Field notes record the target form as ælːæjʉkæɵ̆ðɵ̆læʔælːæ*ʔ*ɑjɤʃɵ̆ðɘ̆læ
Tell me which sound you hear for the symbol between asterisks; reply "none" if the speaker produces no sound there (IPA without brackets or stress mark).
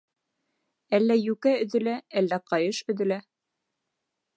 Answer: q